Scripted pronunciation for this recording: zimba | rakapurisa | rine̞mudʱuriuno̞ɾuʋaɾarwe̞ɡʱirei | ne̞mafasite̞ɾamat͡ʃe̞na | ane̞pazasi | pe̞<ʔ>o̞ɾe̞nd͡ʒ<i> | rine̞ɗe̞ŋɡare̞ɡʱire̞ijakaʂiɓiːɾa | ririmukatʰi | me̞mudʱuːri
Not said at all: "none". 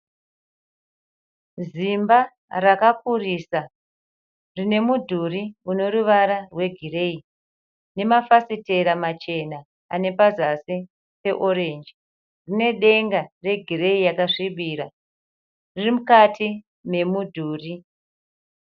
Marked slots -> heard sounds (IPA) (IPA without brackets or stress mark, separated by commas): ʔ, i